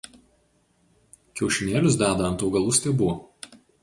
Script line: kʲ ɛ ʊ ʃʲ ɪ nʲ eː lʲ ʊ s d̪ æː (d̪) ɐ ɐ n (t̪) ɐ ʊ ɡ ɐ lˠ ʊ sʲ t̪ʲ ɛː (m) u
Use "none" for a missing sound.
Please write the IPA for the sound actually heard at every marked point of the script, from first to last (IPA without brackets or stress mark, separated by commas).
d̪, t̪, b